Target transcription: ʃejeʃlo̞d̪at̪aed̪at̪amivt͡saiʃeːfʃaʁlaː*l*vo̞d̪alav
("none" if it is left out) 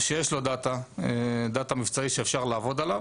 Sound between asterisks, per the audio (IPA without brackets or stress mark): none